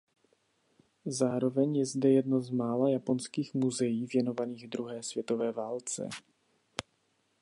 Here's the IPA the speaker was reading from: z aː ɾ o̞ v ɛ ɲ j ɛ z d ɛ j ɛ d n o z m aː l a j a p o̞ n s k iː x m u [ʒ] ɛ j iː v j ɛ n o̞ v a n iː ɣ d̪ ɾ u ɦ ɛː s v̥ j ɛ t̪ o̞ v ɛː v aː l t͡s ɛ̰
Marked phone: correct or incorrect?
incorrect